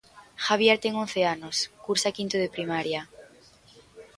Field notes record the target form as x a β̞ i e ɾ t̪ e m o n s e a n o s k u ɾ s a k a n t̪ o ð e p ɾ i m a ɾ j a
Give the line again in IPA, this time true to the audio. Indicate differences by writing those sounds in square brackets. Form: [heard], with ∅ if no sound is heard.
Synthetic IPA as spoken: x a β̞ [j] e ɾ t̪ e [ŋ] o n [θ] e a n o s k u ɾ s a k [i] n t̪ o ð e p ɾ i m a ɾ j a